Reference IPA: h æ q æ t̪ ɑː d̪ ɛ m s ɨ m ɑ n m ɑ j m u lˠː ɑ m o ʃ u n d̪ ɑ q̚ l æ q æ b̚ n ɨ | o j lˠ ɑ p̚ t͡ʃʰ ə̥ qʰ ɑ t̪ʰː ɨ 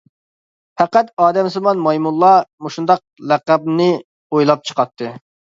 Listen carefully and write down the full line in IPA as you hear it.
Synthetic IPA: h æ q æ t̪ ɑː d̪ ɛ m s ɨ m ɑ n m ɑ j m u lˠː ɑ m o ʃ u n d̪ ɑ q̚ l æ q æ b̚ n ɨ | o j lˠ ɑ p̚ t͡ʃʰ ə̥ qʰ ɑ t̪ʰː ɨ